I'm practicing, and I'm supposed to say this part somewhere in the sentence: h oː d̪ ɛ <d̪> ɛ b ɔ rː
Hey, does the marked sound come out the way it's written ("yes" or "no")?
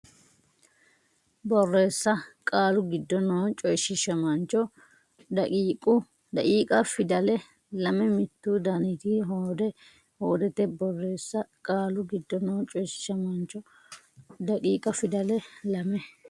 no